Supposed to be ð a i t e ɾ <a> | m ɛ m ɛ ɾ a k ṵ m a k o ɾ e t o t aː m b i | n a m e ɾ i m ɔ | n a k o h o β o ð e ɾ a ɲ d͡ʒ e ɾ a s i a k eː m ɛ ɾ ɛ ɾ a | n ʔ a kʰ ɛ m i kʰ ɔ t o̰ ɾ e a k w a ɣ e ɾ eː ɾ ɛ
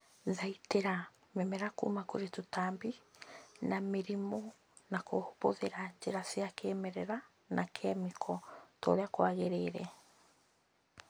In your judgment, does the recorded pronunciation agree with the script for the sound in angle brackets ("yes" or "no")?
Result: yes